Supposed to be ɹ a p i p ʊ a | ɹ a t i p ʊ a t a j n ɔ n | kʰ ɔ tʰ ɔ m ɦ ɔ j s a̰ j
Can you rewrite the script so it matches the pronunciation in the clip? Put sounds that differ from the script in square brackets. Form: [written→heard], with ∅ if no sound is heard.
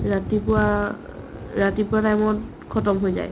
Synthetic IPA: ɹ a [p→t] i p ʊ a | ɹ a t i p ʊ a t a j [n→m] ɔ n | kʰ ɔ [tʰ→t] ɔ m ɦ [ɔ→o] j [s→z] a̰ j